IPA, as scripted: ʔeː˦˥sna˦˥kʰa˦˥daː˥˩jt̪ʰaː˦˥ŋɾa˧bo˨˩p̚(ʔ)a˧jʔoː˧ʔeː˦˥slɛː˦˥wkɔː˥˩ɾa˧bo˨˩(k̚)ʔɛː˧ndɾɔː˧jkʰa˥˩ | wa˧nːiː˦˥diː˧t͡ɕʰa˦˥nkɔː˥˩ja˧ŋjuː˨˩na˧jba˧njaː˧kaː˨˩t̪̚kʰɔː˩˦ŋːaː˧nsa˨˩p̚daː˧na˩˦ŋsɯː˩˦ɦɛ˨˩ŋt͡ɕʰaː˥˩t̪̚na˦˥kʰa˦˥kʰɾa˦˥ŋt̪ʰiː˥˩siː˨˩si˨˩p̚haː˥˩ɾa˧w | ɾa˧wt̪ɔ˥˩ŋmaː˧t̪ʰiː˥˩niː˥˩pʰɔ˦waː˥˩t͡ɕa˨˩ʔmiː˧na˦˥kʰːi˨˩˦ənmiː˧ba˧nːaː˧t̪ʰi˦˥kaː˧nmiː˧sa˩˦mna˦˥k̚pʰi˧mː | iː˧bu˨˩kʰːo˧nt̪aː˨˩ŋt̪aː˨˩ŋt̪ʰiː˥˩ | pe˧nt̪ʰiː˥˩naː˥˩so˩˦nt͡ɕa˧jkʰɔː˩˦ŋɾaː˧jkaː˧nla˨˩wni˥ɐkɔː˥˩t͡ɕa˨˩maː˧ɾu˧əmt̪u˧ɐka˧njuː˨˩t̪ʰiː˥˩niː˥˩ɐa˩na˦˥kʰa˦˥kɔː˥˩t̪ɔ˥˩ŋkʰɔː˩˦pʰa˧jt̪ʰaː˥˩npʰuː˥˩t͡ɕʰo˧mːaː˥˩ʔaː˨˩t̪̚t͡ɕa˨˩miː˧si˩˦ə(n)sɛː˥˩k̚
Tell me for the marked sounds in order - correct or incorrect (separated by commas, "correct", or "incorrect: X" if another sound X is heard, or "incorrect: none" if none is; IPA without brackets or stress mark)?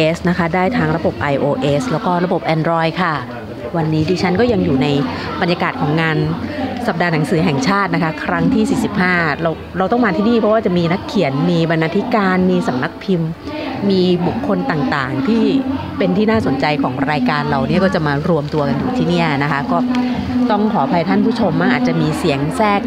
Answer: correct, incorrect: p̚, incorrect: ŋ